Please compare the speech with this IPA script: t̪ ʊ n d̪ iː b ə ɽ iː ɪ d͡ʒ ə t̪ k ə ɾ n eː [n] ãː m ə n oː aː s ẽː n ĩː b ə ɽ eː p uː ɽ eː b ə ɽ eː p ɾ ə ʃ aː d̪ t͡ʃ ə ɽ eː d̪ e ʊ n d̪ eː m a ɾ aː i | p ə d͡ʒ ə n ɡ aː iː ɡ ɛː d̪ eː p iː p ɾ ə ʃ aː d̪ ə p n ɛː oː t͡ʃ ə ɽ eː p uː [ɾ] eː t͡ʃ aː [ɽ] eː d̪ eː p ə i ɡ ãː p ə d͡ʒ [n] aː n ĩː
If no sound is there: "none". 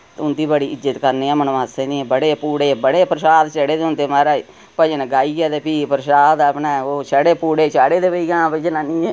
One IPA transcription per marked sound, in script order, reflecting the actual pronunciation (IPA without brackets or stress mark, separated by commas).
none, ɽ, ɽ, n